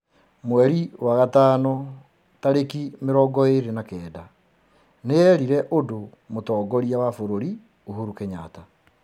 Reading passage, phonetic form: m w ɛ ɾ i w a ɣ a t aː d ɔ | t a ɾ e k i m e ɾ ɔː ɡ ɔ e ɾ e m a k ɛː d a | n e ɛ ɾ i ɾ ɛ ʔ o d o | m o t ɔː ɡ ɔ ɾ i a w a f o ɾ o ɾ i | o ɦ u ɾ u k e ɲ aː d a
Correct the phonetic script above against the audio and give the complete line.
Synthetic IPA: m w ɛ ɾ i w a ɣ a t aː n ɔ | t a ɾ e k i m e ɾ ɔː ɡ ɔ e ɾ e n a k ɛː d a | n e ɛ ɾ i ɾ ɛ ʔ o d o | m o t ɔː ɡ ɔ ɾ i a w a f o ɾ o ɾ i | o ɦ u ɾ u k e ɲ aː t a